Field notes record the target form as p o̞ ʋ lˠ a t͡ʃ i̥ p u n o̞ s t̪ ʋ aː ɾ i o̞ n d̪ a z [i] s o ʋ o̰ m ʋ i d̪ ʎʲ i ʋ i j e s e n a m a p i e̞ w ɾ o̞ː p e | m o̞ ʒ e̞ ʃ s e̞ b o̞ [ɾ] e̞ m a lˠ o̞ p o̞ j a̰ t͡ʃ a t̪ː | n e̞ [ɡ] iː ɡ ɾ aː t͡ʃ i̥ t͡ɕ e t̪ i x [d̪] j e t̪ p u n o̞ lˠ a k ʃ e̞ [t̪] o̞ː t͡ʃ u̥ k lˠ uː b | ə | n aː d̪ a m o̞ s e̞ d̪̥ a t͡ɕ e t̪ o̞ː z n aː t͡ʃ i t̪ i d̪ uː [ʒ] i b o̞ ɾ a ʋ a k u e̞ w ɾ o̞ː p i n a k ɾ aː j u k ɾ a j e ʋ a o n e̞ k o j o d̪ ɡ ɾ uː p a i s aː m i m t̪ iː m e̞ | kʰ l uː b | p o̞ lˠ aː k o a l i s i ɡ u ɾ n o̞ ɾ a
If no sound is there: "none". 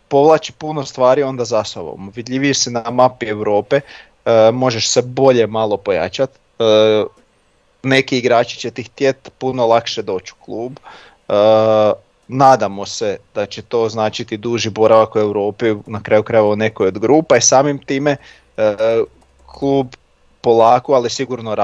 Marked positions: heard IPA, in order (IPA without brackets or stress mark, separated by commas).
a, ʎ, k, t̪, d̪, ʒ